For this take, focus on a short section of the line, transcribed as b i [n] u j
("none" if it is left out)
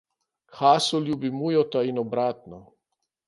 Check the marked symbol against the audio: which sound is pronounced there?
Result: m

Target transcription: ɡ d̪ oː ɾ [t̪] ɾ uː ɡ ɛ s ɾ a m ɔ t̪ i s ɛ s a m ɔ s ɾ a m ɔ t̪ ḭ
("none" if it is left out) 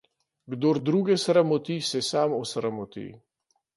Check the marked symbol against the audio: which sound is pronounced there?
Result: d̪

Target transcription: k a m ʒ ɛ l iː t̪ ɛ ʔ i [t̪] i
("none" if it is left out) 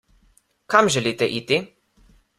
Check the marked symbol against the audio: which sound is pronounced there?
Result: t̪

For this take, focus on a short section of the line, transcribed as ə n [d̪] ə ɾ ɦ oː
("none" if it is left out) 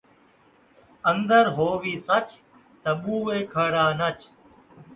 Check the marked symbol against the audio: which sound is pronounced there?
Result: d̪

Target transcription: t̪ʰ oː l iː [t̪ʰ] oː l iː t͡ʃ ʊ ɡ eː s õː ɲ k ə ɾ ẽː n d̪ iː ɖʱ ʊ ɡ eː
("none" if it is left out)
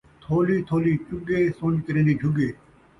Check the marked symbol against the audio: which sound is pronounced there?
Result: t̪ʰ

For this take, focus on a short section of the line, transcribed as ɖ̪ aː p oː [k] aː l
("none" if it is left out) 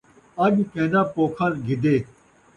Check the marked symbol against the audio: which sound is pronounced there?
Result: kʰ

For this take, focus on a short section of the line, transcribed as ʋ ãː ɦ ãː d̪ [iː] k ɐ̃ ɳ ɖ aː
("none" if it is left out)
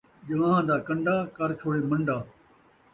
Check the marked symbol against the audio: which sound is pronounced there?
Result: aː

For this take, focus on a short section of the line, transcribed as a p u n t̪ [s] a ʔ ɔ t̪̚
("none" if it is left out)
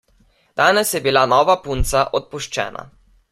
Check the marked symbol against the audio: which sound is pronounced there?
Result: s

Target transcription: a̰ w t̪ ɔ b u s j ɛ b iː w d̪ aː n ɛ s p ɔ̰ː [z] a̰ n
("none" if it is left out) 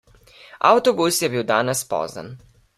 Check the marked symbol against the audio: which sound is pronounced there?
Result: z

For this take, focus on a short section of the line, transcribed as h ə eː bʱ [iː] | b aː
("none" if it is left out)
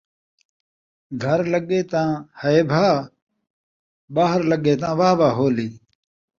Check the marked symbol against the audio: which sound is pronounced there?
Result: aː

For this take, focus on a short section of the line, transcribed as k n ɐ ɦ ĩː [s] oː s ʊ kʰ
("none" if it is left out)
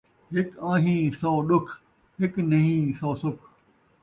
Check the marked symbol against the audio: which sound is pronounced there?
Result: s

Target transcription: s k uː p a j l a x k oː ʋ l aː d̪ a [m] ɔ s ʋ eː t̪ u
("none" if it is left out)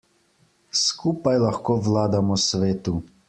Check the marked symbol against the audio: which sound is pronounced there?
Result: m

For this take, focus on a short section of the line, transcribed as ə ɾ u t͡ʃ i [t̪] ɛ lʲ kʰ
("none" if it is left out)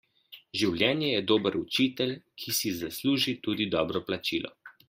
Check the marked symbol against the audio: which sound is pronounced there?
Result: t̪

